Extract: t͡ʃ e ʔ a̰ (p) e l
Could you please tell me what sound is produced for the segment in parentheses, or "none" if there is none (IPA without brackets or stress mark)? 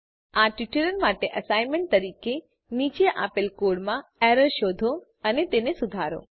p